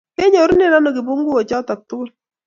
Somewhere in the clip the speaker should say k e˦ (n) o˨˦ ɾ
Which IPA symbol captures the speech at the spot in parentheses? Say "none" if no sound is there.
ɲ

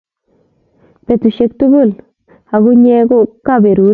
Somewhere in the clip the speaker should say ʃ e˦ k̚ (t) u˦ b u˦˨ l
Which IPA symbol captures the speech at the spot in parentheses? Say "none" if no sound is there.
t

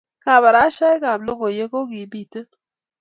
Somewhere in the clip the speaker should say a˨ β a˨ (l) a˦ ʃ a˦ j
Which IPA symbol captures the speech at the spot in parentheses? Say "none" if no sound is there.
ɾ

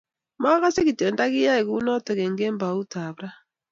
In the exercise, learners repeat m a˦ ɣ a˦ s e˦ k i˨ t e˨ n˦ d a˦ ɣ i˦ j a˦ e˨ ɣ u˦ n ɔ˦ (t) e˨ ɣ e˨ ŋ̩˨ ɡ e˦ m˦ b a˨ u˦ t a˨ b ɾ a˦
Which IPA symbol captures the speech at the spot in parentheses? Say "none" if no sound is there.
t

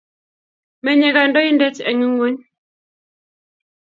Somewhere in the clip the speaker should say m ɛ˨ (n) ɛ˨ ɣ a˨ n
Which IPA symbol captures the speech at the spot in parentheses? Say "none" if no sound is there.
ɲ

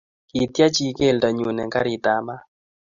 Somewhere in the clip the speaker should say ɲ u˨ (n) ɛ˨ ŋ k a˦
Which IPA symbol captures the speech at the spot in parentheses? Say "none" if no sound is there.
n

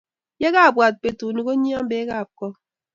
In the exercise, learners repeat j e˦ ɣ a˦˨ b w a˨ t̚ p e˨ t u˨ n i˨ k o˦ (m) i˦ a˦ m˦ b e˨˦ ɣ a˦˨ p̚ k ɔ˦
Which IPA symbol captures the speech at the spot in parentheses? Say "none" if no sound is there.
ɲ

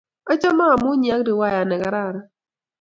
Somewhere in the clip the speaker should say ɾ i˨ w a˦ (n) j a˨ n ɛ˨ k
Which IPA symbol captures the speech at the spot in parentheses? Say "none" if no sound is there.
none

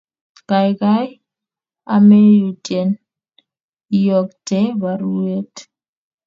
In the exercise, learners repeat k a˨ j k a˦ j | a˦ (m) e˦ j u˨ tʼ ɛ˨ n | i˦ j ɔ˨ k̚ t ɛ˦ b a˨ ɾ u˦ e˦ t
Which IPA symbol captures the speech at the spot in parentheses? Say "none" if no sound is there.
m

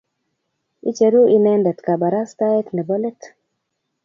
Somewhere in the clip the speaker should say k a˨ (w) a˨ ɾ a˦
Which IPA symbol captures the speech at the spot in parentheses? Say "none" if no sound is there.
b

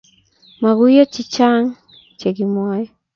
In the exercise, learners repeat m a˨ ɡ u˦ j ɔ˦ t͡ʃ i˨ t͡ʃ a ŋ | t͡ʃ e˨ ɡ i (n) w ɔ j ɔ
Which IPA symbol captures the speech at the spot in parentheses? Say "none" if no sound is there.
m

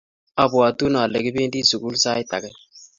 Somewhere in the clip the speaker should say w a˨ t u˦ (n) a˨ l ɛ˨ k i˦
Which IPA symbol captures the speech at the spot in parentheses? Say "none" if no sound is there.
n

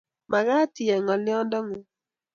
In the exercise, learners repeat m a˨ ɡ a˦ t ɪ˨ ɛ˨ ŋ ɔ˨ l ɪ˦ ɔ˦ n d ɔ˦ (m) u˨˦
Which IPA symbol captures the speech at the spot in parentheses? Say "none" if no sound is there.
ŋ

